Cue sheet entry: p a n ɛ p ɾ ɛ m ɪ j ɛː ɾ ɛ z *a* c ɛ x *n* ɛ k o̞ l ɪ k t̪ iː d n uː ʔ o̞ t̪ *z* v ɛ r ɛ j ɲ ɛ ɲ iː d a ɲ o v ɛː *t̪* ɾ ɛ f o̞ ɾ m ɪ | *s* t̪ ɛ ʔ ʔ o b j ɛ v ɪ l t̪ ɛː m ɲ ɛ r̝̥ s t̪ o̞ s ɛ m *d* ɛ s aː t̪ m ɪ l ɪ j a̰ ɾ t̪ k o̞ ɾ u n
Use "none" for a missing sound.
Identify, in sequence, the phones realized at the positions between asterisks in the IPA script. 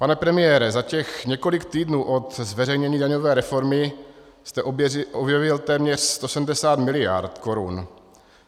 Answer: a, ɲ, z, none, s, d

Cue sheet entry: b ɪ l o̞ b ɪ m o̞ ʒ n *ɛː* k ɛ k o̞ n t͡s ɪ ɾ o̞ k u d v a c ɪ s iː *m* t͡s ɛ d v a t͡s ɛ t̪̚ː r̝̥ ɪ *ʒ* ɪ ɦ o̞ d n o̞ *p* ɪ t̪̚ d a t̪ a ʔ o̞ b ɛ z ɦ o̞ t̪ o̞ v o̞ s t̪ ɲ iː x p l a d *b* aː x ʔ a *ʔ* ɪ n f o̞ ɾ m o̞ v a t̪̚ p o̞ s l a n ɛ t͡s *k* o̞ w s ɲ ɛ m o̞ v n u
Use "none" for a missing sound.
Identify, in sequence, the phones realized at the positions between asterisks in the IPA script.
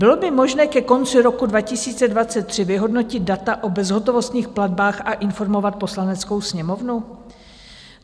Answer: ɛː, none, v, c, b, ʔ, k

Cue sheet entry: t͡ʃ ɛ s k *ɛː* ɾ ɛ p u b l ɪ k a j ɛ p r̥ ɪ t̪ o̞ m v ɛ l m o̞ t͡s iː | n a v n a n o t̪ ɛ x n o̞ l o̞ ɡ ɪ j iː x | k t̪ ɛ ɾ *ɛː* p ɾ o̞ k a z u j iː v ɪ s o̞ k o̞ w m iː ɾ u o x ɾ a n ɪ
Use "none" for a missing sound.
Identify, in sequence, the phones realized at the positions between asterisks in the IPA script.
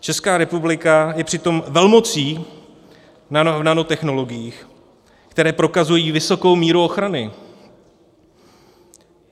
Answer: aː, ɛː

